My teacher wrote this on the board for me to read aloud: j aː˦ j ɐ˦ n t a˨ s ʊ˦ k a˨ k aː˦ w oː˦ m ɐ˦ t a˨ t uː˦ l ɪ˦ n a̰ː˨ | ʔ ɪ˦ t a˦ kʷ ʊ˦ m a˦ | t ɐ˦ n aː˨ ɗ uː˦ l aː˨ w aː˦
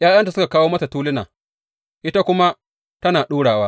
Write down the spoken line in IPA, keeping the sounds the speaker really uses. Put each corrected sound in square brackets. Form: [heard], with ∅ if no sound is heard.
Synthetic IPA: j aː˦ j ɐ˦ n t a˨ s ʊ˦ k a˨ k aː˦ w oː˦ m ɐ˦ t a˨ t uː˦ l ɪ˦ n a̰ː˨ | ʔ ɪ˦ t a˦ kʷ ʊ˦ m a˦ | t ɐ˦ n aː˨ ɗ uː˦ [ɽ] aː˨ w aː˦